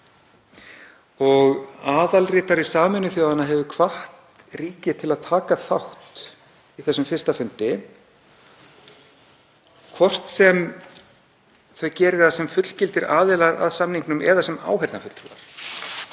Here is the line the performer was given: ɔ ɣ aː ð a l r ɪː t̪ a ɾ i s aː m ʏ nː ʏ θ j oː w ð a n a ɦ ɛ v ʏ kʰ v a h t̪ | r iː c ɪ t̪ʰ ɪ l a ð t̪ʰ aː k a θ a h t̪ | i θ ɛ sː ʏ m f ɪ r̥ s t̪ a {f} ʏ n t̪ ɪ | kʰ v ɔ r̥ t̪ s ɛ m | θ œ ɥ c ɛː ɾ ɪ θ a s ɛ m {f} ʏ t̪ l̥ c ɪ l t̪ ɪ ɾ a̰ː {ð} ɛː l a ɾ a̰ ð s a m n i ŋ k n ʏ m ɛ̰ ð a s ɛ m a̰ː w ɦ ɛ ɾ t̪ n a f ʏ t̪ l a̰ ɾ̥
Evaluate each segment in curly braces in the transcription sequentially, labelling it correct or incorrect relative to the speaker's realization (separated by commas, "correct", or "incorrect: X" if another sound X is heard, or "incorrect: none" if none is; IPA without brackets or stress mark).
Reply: correct, correct, correct